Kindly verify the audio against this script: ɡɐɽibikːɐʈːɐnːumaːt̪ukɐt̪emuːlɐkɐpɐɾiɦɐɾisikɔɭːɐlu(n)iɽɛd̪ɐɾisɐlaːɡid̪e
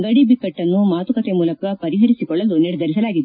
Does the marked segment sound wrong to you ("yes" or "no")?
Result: no